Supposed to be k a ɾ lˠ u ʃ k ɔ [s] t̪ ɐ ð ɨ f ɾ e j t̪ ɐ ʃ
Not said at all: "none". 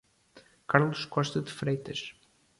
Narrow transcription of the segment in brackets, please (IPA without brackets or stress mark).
ʃ